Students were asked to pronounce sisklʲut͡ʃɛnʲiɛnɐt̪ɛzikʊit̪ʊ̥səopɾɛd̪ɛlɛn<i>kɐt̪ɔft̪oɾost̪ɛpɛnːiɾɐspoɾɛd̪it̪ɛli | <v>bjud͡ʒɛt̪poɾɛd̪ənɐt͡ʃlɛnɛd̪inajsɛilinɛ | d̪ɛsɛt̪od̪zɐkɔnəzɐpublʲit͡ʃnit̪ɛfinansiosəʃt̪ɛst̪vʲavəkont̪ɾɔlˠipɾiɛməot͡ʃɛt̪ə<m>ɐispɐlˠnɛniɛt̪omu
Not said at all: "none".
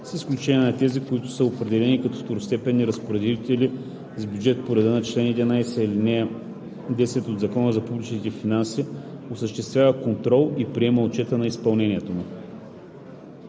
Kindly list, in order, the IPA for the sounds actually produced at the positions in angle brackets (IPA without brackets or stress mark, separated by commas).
i, z, n